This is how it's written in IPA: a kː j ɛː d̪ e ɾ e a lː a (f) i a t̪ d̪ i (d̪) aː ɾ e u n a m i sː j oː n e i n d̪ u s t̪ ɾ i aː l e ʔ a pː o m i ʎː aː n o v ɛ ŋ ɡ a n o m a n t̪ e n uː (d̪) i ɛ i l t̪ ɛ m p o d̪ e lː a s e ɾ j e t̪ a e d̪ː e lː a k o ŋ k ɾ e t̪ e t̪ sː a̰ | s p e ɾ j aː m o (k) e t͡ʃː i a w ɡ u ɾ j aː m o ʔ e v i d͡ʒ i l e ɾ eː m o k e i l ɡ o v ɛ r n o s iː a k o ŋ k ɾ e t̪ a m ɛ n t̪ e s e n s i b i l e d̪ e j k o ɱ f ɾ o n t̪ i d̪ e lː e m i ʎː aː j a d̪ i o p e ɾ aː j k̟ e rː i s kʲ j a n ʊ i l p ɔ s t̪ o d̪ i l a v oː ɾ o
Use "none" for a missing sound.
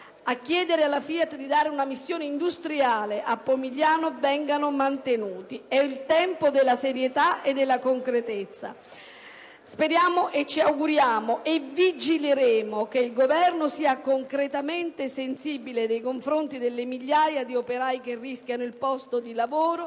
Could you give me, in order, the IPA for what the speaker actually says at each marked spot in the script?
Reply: f, d̪, t̪, ʔ

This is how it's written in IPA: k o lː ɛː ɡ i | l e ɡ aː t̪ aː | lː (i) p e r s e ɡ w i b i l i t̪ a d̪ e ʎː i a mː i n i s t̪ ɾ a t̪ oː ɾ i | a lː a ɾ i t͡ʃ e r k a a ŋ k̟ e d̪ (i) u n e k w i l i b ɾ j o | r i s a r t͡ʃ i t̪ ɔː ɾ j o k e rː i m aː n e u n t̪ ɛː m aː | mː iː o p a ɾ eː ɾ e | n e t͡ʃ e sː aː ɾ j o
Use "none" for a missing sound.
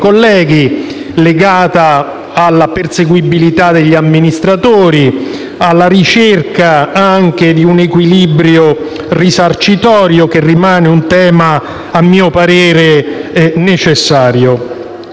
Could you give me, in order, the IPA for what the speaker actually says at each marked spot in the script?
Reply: a, i

